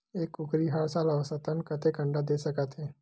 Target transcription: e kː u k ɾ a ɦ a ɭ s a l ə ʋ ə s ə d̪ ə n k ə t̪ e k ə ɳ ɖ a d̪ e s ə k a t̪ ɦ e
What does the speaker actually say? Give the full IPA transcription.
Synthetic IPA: e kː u k ɾ i ɦ a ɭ s a l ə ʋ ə s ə t̪ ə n k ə t̪ e k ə ɳ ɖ a d̪ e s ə k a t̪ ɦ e